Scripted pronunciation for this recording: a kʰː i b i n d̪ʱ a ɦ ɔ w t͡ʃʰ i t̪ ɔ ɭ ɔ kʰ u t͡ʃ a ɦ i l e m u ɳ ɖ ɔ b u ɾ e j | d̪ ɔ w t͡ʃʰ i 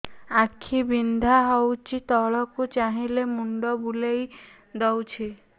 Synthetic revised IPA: a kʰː i b i n d̪ʱ a ɦ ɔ w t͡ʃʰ i t̪ ɔ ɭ ɔ k u t͡ʃ a ɦ i l e m u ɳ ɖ ɔ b u l e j | d̪ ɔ w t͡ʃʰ i